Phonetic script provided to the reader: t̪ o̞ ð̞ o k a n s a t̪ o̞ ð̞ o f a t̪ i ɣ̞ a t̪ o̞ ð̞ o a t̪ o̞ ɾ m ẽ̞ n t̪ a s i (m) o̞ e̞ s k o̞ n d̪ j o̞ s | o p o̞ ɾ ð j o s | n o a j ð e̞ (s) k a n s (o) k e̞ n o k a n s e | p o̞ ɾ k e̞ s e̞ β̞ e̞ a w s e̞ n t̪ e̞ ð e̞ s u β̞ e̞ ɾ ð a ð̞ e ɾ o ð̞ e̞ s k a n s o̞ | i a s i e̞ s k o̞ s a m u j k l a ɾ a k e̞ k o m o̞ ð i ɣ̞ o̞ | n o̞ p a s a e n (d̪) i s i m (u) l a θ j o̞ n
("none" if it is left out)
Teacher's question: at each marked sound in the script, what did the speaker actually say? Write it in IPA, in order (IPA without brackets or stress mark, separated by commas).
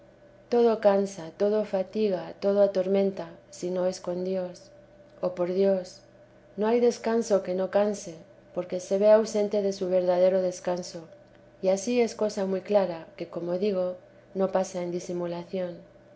n, s, o, d̪, u